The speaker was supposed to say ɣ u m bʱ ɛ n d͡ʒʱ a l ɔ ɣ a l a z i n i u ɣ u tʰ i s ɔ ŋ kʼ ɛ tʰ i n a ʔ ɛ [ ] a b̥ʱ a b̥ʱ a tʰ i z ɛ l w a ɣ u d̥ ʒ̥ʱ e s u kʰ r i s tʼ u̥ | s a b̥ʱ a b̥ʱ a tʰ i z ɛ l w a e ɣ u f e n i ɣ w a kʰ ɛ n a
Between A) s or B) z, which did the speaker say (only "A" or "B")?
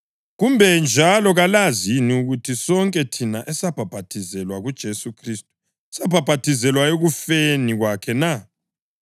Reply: A